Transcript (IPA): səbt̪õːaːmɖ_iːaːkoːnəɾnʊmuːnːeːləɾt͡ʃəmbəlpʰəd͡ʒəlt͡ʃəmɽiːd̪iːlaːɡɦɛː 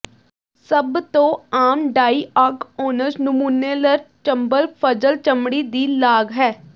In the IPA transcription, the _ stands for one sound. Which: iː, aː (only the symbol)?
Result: aː